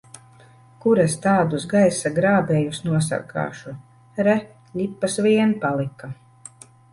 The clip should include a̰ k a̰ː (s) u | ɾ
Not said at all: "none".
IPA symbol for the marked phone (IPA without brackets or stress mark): ʃ